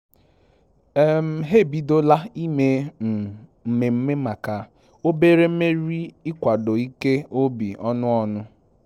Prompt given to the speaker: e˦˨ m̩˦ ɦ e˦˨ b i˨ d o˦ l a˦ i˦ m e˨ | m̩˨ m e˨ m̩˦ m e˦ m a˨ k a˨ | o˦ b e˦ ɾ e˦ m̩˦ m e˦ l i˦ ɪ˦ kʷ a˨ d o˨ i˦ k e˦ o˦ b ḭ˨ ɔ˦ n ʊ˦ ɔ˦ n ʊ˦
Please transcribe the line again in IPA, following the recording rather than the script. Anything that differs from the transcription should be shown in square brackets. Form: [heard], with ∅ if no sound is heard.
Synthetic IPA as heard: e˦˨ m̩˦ ɦ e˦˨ b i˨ d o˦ l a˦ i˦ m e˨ | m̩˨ m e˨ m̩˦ m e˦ m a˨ k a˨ | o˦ b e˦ ɾ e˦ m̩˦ m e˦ [ɾ] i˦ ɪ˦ kʷ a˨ d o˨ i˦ k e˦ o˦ b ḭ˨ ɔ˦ n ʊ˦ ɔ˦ n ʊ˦